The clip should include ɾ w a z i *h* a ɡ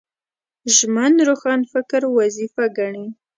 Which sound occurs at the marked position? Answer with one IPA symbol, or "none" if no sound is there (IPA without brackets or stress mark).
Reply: f